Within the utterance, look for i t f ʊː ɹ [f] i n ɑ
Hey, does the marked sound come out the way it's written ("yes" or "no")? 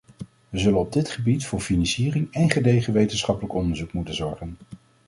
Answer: yes